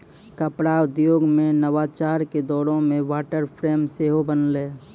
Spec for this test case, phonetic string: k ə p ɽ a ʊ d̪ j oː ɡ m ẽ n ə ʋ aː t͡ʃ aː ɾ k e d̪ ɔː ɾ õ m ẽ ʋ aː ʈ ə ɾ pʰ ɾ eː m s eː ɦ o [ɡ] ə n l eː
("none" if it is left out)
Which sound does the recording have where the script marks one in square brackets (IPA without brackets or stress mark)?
b